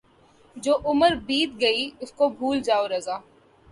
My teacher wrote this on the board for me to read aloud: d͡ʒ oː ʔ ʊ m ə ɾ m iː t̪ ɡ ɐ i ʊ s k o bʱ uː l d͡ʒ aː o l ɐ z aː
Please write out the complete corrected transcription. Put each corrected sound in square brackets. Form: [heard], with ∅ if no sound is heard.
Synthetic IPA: d͡ʒ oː ʔ ʊ m ə ɾ [b] iː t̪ ɡ ɐ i ʊ s k o bʱ uː l d͡ʒ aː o [ɾ] ɐ z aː